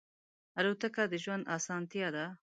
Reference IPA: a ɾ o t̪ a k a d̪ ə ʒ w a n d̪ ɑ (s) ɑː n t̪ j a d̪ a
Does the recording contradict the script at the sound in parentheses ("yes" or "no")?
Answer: no